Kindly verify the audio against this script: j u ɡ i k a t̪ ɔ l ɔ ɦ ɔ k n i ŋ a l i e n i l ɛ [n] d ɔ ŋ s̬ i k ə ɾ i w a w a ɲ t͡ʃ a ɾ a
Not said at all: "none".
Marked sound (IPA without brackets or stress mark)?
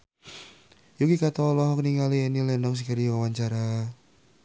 n